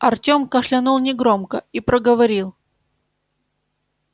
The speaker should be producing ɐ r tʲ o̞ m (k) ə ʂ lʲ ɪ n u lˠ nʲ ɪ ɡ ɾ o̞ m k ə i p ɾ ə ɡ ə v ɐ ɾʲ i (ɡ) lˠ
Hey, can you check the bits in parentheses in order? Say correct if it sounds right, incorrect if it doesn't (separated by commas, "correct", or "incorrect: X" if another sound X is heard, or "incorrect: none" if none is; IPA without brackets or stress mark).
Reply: correct, incorrect: none